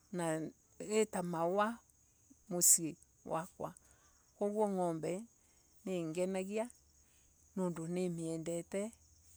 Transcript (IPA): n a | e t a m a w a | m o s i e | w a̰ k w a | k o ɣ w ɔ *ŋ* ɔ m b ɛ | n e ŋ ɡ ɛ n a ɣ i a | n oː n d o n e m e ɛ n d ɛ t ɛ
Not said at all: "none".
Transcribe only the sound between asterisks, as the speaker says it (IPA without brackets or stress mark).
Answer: ŋ